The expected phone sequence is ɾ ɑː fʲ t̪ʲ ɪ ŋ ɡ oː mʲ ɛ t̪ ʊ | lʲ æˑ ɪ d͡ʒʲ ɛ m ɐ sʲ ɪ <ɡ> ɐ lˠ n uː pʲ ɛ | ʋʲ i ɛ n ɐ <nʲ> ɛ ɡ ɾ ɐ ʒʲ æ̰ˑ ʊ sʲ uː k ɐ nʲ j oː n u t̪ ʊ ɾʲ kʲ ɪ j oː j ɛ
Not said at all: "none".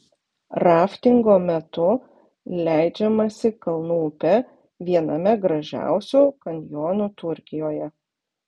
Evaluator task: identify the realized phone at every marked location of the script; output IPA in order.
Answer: k, mʲ

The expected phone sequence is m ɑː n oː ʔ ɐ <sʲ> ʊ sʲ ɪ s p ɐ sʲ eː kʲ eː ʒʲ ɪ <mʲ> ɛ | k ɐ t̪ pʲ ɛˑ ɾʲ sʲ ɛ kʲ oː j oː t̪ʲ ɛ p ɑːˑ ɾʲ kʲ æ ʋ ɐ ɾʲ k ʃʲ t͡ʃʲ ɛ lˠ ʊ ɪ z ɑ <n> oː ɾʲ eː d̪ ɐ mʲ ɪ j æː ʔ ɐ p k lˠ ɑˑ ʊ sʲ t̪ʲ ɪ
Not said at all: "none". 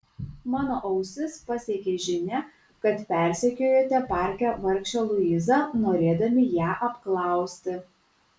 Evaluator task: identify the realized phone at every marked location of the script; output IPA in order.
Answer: none, nʲ, n

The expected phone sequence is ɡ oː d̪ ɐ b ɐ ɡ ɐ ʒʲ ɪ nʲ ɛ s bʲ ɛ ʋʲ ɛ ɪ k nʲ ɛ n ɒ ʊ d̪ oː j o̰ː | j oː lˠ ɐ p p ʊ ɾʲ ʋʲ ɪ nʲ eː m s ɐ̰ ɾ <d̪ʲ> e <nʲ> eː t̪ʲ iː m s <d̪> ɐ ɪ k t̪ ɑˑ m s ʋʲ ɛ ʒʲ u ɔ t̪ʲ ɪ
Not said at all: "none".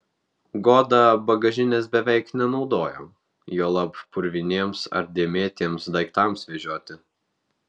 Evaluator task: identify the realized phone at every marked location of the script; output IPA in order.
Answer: d̪ʲ, mʲ, d̪

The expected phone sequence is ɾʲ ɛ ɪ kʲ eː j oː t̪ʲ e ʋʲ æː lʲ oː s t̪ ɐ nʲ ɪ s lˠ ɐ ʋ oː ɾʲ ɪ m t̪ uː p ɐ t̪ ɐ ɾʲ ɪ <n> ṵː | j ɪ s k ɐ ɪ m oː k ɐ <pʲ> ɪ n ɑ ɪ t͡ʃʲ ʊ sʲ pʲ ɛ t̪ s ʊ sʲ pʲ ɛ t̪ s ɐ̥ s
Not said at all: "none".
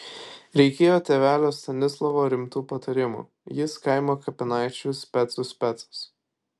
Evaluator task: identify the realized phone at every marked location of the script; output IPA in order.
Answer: m, pʲ

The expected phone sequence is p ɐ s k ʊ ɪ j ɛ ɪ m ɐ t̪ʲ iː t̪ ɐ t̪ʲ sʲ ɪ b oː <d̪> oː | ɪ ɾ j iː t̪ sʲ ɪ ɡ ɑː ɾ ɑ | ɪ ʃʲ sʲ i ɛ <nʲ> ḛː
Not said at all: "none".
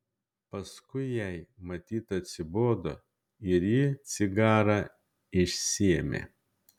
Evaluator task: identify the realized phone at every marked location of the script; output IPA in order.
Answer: d̪, mʲ

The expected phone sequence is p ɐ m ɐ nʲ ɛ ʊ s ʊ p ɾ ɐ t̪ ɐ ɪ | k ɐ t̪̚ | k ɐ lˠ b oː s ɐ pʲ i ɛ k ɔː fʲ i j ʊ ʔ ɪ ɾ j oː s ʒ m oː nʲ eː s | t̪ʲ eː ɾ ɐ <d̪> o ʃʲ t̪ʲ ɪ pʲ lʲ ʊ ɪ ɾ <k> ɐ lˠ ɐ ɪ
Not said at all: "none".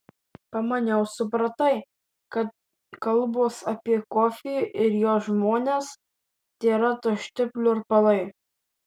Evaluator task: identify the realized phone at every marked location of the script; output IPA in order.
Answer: t̪, p

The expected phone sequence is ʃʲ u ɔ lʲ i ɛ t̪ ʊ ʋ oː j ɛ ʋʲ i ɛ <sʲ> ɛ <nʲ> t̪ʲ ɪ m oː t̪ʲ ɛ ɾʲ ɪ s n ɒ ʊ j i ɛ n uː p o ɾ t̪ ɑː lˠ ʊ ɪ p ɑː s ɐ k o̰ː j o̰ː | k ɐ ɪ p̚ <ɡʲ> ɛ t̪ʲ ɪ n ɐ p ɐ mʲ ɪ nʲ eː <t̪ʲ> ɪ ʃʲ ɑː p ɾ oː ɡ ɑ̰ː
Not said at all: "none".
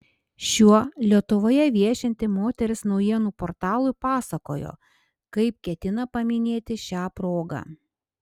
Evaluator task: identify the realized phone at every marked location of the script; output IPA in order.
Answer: ʃʲ, nʲ, kʲ, t̪ʲ

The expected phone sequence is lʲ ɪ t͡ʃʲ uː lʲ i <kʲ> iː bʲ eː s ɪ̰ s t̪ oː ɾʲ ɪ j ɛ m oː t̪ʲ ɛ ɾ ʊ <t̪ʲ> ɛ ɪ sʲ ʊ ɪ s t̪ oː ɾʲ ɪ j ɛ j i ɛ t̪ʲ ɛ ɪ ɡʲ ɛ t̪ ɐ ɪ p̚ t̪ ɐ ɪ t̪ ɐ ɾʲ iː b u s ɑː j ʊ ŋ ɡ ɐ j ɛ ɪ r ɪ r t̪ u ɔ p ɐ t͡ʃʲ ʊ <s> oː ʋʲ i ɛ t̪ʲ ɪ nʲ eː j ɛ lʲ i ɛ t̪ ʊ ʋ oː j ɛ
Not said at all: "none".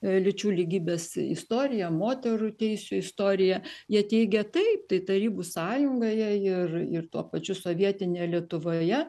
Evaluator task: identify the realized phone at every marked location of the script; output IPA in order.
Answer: ɡʲ, t̪ʲ, s

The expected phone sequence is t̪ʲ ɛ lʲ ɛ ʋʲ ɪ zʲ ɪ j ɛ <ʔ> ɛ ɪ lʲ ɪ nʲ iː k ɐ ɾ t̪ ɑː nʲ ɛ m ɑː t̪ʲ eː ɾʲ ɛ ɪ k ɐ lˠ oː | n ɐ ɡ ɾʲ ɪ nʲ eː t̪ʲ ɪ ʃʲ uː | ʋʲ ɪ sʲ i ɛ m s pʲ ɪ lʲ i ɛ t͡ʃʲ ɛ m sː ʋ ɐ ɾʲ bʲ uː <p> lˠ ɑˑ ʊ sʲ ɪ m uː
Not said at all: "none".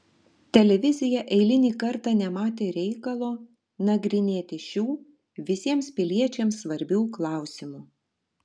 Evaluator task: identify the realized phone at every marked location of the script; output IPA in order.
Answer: ʔ, k

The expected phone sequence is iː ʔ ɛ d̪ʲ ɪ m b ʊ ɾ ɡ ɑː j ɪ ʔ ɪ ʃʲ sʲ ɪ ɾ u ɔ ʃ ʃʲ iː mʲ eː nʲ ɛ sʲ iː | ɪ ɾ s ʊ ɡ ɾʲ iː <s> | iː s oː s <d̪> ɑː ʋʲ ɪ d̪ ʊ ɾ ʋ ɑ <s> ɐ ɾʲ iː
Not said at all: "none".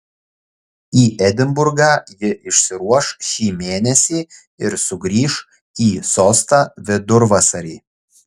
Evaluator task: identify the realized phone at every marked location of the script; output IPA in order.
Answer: ʃ, t̪, s

